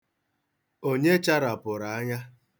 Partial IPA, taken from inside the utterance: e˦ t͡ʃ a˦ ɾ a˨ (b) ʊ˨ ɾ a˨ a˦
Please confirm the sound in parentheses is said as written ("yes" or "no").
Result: no